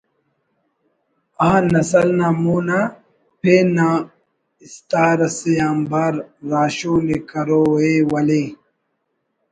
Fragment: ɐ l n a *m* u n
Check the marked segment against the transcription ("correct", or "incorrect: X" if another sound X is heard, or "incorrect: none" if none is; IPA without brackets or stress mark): correct